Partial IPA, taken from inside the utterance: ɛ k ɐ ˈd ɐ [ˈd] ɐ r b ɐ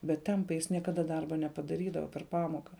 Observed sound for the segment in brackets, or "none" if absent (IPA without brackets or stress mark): d